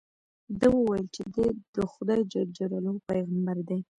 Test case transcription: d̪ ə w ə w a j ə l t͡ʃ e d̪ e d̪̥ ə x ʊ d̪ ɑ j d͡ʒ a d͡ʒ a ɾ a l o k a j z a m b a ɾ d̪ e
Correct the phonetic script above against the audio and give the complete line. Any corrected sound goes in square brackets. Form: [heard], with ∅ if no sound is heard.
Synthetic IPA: d̪ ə w ə w a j ə l t͡ʃ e d̪ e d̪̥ ə x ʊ d̪ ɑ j d͡ʒ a d͡ʒ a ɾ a l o [p] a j [ɣ] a m b a ɾ d̪ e